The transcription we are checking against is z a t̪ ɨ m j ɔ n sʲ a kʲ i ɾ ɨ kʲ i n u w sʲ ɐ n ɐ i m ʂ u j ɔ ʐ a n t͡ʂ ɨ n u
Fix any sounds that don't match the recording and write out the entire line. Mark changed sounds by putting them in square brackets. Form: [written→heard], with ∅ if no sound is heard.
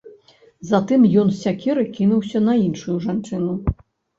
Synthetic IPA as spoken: z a t̪ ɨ m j ɔ n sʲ a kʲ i ɾ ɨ kʲ i n u w sʲ ɐ n ɐ i [m→n] ʂ u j [ɔ→u] ʐ a n t͡ʂ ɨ n u